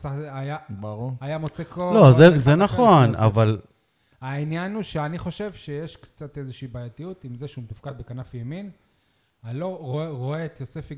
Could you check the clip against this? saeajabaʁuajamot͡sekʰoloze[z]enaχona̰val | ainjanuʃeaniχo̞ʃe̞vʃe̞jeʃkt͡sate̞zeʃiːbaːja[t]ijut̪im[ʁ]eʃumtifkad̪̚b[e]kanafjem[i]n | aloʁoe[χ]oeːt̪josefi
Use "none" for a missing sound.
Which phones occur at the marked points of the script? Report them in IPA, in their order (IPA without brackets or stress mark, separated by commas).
z, t, z, e, i, ʁ